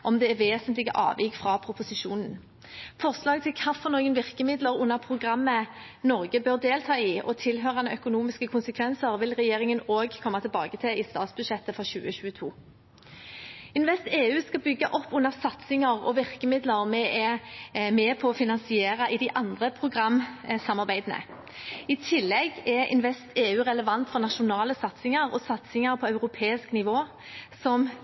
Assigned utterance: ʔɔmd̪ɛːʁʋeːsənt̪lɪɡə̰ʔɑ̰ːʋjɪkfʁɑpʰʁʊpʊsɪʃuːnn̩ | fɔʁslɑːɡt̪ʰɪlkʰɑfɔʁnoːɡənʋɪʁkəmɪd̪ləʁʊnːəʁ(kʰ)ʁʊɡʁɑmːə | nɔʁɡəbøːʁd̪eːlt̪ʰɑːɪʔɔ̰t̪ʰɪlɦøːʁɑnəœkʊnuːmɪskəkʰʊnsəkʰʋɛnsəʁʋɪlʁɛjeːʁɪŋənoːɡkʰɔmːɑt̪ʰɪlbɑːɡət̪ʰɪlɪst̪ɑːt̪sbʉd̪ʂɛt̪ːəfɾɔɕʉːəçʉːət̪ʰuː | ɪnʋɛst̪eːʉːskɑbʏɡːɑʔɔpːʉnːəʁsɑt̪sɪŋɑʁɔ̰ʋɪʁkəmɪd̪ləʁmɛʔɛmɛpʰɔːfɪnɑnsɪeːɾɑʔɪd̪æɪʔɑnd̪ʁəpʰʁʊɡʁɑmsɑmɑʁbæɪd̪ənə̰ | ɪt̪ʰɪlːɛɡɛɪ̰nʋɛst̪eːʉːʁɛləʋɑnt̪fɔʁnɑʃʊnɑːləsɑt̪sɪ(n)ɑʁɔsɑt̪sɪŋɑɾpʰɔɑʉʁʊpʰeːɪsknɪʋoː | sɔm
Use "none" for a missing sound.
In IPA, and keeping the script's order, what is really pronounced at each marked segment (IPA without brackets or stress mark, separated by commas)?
pʰ, ŋ